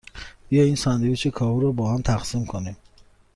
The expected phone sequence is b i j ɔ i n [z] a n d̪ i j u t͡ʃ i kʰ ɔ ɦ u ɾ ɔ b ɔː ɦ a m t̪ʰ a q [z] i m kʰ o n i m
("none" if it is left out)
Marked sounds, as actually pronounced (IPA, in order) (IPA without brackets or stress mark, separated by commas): s, s